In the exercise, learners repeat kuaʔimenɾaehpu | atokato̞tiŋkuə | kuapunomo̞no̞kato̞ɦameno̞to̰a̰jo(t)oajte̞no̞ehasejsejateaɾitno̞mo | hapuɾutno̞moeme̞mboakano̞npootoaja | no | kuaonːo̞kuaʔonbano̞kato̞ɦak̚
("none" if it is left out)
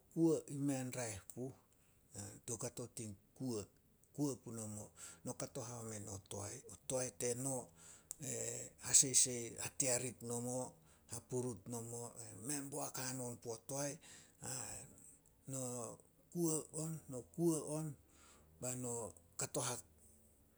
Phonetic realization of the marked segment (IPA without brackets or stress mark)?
t